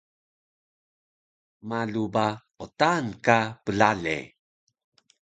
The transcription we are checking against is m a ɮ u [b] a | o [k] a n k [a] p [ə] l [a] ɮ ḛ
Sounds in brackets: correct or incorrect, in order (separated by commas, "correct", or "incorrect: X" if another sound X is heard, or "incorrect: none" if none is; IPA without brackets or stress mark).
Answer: correct, incorrect: t, correct, correct, correct